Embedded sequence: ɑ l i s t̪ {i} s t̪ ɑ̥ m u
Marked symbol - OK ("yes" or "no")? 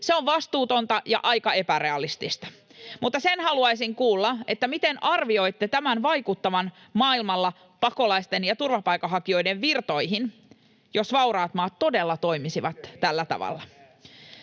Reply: yes